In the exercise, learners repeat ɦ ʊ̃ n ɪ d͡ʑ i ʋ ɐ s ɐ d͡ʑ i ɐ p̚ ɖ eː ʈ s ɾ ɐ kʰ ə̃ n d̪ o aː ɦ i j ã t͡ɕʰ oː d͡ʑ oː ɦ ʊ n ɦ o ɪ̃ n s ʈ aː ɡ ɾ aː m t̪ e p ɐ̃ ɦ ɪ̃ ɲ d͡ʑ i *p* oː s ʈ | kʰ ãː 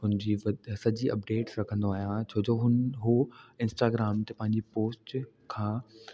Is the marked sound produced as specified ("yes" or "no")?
yes